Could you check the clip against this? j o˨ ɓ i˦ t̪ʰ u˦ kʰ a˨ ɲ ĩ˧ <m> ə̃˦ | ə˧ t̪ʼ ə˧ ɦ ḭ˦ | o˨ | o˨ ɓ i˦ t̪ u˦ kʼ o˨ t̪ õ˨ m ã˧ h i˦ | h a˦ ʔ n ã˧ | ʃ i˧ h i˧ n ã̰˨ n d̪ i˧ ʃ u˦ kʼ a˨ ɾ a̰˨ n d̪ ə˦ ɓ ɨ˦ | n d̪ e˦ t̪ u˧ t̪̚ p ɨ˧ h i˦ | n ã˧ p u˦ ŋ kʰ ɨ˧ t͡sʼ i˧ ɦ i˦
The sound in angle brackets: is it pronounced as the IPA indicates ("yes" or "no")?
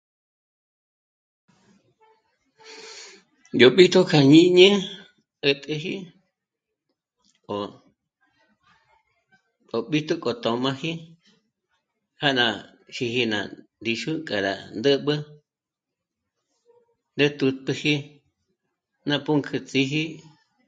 no